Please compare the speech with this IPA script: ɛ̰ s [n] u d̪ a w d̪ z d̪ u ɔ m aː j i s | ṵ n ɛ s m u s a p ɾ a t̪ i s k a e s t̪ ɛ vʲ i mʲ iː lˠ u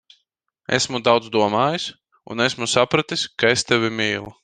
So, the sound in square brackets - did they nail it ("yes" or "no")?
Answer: no